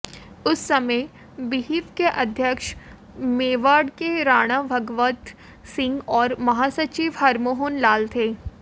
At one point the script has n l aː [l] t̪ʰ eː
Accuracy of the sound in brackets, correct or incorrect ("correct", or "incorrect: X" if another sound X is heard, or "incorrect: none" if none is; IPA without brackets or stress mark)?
correct